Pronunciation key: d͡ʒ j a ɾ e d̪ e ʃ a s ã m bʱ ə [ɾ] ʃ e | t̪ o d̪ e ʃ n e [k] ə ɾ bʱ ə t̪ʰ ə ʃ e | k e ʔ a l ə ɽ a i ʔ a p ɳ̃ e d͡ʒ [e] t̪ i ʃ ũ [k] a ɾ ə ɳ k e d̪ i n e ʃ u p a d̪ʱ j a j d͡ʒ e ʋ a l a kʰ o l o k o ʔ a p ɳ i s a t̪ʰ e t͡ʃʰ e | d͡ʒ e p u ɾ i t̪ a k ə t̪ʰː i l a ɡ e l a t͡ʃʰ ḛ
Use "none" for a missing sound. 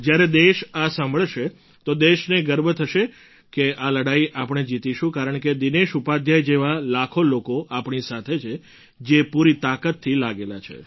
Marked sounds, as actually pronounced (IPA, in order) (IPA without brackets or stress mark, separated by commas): ɭ, ɡ, i, k